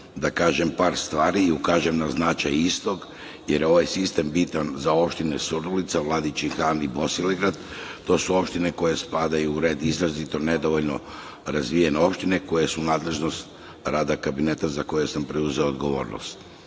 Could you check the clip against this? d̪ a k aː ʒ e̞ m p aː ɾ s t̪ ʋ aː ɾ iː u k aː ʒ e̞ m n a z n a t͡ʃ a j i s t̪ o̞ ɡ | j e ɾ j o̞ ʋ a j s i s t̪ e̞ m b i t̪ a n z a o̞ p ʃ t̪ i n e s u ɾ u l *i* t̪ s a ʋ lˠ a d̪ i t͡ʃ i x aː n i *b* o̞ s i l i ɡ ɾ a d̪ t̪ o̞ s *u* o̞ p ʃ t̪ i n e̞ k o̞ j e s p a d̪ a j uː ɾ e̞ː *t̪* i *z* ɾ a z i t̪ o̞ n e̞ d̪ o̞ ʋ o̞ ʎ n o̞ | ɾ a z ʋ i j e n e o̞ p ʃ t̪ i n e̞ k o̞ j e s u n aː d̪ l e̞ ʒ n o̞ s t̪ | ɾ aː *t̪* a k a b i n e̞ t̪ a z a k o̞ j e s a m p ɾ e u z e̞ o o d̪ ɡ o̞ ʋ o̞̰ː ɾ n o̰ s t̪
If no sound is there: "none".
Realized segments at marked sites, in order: i, b, u, d̪, z, d̪

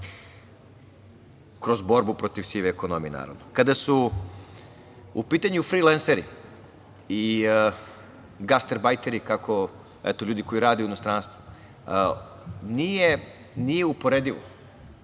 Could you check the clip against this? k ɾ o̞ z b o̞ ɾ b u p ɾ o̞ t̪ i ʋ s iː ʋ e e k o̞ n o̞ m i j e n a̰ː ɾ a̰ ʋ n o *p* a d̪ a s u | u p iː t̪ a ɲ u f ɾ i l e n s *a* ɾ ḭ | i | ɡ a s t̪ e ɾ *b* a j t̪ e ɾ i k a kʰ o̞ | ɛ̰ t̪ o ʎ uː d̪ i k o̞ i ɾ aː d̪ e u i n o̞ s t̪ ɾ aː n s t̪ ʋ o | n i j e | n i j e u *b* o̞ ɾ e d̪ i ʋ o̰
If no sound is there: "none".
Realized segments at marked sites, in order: k, e, b, p

